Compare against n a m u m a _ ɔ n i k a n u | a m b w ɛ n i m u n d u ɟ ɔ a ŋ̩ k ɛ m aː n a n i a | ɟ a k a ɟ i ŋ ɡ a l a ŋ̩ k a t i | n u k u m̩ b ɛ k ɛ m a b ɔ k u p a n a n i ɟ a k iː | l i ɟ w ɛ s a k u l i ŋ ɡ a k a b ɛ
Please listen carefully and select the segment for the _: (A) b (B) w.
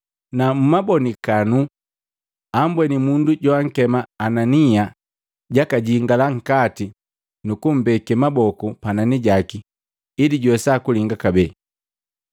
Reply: A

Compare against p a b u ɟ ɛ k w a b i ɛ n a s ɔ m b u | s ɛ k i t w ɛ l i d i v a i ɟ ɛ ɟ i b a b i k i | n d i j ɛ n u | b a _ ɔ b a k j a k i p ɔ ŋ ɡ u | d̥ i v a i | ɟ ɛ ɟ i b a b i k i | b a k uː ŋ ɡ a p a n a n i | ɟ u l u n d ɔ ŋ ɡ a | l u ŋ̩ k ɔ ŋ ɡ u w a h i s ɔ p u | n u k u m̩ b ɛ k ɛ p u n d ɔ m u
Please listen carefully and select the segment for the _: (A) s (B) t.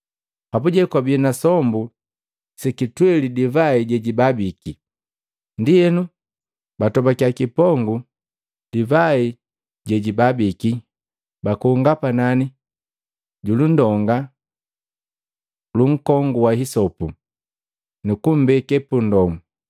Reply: B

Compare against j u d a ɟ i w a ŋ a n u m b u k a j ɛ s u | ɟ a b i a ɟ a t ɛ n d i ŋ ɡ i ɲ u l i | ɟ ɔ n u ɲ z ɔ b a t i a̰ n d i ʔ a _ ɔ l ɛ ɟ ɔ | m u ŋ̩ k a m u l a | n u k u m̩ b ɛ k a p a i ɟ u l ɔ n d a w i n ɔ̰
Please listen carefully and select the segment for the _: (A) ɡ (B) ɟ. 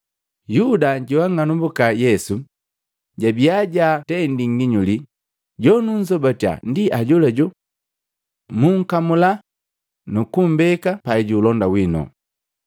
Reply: B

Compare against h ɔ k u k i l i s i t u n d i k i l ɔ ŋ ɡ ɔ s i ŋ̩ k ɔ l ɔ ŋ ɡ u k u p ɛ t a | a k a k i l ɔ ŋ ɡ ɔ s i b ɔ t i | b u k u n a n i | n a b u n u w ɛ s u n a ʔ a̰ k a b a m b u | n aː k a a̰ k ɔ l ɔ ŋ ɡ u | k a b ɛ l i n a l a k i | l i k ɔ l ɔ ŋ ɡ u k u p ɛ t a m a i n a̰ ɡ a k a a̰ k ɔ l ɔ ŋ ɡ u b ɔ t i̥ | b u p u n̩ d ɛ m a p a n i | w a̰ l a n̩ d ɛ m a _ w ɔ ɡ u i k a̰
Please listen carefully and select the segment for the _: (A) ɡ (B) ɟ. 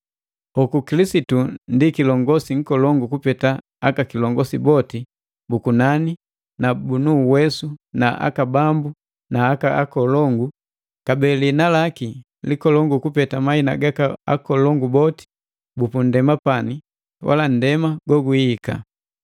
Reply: A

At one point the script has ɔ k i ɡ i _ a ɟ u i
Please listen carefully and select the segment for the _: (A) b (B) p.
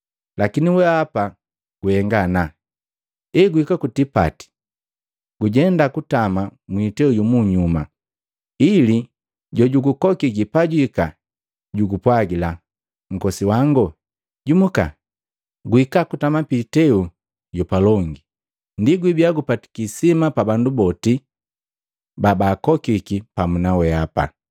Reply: B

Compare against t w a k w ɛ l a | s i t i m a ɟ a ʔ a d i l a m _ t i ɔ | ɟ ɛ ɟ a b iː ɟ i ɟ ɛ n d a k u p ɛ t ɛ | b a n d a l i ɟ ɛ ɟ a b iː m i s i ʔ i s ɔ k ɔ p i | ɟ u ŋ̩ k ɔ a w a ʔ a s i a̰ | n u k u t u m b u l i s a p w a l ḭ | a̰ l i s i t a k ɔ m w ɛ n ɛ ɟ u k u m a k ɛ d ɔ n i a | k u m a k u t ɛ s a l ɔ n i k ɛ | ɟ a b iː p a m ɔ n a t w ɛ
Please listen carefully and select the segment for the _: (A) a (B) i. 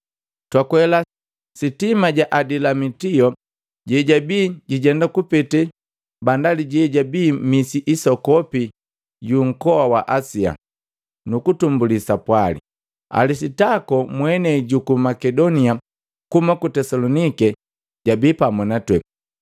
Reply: B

